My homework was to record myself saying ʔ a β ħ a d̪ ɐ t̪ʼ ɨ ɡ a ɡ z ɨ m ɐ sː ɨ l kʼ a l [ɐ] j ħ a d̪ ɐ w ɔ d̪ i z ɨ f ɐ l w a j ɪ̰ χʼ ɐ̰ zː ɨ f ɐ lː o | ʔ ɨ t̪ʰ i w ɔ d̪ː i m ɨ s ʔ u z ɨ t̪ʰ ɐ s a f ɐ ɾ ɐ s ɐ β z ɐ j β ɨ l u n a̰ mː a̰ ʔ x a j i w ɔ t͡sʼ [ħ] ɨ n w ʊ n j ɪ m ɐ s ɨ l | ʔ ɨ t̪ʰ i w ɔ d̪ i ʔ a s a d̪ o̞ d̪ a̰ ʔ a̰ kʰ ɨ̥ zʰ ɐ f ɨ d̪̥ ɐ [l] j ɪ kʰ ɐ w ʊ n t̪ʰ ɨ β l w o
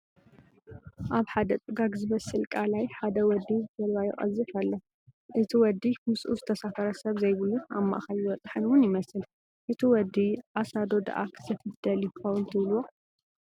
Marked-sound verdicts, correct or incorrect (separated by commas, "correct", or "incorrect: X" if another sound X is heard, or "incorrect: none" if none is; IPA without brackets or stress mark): incorrect: a, correct, correct